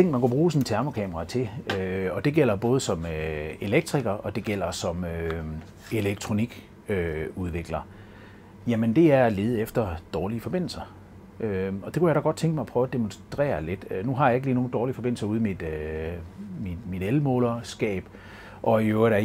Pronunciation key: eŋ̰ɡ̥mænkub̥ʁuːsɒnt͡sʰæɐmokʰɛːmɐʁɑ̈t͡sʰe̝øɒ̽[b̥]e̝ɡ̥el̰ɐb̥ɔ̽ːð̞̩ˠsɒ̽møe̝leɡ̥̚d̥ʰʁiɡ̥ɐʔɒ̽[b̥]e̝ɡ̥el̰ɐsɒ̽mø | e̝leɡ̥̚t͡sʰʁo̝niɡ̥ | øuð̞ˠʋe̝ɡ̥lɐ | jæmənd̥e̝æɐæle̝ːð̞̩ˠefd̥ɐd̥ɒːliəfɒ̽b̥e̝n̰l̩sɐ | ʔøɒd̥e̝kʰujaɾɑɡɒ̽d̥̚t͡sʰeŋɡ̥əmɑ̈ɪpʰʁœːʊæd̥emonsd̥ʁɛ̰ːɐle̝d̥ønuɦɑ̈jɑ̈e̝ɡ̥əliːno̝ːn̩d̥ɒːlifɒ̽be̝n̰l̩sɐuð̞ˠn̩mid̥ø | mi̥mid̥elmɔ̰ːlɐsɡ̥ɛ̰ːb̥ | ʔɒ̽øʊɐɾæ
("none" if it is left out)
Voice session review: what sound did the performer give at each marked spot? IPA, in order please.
d̥, d̥

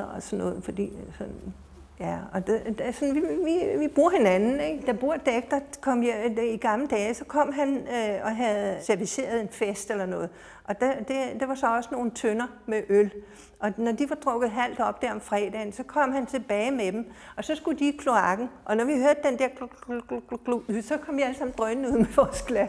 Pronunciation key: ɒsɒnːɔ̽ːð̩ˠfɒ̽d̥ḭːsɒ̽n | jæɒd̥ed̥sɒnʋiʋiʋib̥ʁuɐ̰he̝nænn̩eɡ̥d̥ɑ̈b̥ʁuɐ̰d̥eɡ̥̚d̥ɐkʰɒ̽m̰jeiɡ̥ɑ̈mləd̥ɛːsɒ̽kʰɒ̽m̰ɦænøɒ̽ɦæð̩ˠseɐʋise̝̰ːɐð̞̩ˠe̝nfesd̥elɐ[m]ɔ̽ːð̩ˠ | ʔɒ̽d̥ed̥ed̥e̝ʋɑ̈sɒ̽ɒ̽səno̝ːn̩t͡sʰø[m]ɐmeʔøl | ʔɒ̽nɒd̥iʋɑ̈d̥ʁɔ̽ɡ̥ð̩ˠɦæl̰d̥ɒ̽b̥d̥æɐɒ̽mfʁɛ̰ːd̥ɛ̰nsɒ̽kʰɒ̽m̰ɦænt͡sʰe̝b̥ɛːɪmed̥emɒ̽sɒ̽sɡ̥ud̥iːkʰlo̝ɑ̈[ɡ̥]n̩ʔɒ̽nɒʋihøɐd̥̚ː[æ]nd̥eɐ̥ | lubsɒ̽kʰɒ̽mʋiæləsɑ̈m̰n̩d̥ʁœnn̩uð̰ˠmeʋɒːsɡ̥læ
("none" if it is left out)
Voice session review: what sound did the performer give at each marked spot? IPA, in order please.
n, n, ɡ̥, e

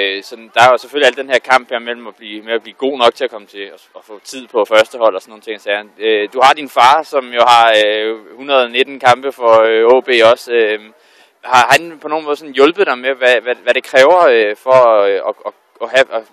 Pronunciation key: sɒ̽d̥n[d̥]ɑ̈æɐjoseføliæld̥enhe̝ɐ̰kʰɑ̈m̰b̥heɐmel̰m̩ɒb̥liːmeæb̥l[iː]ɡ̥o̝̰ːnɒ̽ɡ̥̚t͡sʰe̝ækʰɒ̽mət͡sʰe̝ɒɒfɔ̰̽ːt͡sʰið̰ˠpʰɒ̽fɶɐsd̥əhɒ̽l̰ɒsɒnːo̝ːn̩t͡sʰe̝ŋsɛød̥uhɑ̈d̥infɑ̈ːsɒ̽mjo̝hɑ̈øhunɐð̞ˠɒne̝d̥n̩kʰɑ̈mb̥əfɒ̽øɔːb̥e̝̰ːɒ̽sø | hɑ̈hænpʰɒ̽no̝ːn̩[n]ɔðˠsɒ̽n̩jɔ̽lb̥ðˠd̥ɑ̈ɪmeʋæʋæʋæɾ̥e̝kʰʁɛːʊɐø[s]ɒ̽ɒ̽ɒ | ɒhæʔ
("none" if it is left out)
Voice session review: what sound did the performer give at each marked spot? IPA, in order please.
d̥, iː, m, f

